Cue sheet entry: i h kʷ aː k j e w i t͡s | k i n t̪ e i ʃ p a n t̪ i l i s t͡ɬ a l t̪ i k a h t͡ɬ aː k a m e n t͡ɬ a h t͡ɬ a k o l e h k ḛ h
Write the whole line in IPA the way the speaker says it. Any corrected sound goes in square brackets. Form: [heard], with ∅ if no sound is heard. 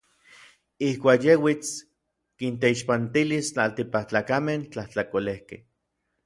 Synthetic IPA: i h kʷ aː k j e w i t͡s | k i n t̪ e i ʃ p a n t̪ i l i s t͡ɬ a l t̪ i [p] a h t͡ɬ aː k a m e n t͡ɬ a h t͡ɬ a k o l e h k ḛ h